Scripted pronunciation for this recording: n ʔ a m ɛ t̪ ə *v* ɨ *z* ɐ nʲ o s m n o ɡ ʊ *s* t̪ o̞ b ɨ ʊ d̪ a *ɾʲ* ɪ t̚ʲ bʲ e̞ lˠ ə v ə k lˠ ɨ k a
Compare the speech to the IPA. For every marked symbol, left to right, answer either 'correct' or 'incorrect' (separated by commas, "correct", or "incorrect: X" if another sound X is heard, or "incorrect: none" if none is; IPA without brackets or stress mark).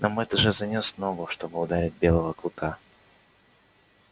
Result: incorrect: ʐ, correct, incorrect: ʂ, correct